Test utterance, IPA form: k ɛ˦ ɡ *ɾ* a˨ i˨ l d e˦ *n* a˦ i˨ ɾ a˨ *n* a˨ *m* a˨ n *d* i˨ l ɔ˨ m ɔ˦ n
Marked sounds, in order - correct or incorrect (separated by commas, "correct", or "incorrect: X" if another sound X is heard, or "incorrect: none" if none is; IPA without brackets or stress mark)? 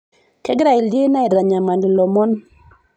correct, correct, incorrect: ɲ, correct, correct